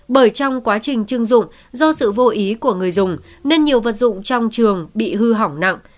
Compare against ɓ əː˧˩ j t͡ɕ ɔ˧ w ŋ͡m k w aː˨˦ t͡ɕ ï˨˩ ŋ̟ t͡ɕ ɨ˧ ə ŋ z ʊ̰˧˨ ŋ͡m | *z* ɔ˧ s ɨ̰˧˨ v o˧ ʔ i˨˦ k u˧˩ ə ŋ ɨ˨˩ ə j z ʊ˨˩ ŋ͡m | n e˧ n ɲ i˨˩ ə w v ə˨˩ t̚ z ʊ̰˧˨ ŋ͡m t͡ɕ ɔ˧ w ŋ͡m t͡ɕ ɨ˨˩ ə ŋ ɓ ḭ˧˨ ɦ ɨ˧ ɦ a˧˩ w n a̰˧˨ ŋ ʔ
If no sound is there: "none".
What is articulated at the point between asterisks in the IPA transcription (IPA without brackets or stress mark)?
z